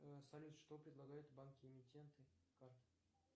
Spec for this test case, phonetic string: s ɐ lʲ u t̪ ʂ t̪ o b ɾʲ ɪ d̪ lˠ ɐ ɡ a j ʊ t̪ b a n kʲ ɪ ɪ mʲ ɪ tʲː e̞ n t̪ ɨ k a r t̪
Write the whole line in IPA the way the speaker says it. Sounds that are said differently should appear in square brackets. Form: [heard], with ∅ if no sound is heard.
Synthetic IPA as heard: s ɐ lʲ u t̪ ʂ t̪ o [p] ɾʲ ɪ d̪ lˠ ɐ ɡ a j ʊ t̪ b a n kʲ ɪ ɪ mʲ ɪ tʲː e̞ n t̪ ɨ k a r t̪